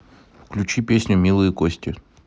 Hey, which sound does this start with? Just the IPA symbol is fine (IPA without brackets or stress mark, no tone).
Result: f